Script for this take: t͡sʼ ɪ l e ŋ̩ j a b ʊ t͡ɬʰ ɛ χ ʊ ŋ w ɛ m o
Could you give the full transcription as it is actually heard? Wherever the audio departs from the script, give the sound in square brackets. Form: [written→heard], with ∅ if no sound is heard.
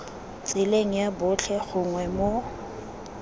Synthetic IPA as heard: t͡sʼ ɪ l e ŋ̩ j a b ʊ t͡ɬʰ ɛ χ ʊ ŋ w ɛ m o